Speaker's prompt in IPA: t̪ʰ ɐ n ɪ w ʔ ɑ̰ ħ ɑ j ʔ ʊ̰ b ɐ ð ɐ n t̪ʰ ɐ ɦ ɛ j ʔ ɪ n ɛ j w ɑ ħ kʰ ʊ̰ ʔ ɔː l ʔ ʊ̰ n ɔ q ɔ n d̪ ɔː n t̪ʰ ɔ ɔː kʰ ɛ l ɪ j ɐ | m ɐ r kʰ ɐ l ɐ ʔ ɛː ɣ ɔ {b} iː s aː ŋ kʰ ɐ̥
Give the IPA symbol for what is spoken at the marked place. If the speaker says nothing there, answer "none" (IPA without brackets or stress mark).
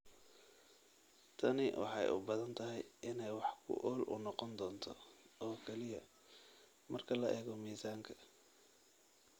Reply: m